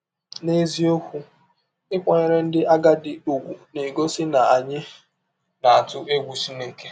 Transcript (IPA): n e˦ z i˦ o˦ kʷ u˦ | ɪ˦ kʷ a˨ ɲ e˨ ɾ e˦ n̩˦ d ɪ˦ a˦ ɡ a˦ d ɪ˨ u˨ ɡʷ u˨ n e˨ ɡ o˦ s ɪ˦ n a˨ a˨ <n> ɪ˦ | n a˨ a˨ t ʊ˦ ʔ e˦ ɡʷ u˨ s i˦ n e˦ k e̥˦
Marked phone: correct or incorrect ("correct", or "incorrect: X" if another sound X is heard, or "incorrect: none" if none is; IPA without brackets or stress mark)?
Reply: incorrect: ɲ